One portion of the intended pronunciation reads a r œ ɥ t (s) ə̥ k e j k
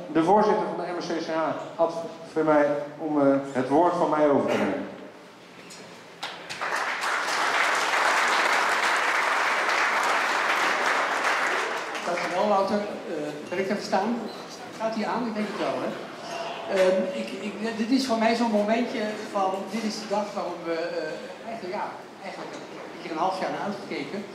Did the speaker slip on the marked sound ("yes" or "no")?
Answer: yes